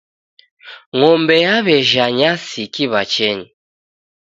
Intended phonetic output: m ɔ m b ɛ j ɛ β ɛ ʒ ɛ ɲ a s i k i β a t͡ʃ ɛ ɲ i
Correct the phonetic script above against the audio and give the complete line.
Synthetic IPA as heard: ŋ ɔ m b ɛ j a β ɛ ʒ a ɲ a s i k i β a t͡ʃ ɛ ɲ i